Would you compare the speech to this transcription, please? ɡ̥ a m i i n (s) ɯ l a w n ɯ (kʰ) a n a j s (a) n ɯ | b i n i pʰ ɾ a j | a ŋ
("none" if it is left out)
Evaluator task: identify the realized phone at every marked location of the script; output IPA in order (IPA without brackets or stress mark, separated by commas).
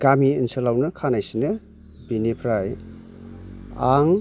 s, kʰ, i